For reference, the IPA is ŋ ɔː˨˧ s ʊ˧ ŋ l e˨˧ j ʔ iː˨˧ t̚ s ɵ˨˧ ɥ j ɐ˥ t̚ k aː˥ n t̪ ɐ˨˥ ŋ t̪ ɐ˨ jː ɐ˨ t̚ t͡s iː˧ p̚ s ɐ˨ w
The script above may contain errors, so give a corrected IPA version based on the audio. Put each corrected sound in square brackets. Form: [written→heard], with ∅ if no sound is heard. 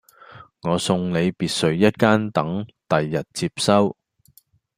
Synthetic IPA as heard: ŋ ɔː˨˧ s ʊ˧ ŋ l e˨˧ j [ʔ→p] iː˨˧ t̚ s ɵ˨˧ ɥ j ɐ˥ t̚ k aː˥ n t̪ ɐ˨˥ ŋ t̪ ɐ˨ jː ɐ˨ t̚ t͡s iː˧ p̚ s [ɐ˨→ɐ˥] w